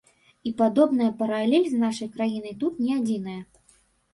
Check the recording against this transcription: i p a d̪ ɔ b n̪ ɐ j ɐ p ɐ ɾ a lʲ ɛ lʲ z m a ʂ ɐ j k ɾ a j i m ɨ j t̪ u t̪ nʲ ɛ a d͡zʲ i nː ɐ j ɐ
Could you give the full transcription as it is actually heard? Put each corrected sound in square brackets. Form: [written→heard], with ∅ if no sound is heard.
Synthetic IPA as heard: i p a d̪ ɔ b n̪ ɐ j ɐ p ɐ ɾ a lʲ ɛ lʲ z [m→n] a ʂ ɐ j k ɾ a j i [m→n] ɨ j t̪ u t̪ nʲ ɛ a d͡zʲ i [nː→n] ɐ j ɐ